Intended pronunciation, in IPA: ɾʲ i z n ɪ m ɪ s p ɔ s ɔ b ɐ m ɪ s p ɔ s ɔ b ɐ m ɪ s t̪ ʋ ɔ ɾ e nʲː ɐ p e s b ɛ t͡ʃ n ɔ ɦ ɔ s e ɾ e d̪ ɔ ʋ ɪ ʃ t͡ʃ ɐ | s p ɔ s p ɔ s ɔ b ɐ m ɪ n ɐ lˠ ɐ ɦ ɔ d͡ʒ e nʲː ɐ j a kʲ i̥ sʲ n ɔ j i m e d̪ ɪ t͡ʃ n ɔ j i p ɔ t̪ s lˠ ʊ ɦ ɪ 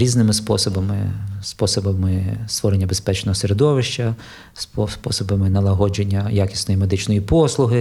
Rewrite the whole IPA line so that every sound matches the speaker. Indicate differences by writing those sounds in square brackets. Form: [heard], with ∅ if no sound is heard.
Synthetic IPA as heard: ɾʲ i z n ɪ m ɪ s p ɔ s ɔ b ɐ m ɪ s p ɔ s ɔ b ɐ m ɪ s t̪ ʋ ɔ ɾ e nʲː ɐ [b] e s [p] ɛ t͡ʃ n ɔ ɦ ɔ s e ɾ e d̪ ɔ ʋ ɪ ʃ t͡ʃ ɐ | s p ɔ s p ɔ s ɔ b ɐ m ɪ n ɐ lˠ ɐ ɦ ɔ d͡ʒ e nʲː ɐ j a kʲ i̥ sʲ n ɔ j i m e d̪ ɪ t͡ʃ n ɔ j i p ɔ [∅] s lˠ ʊ ɦ ɪ